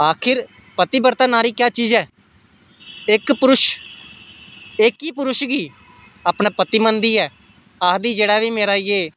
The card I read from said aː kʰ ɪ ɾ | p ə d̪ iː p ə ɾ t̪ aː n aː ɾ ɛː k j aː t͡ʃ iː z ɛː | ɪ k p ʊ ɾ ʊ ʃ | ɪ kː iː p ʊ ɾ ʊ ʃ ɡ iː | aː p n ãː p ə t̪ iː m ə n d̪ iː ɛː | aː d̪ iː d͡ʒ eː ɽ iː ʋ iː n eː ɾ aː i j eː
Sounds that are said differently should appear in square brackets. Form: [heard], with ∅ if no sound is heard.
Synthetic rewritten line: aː kʰ ɪ ɾ | p ə [t̪] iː [b] ə ɾ t̪ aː n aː ɾ [iː] k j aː t͡ʃ iː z ɛː | ɪ k p ʊ ɾ ʊ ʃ | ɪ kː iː p ʊ ɾ ʊ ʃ ɡ iː | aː p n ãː p ə t̪ iː m ə n d̪ iː ɛː | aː d̪ iː d͡ʒ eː ɽ [aː] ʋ iː [m] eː ɾ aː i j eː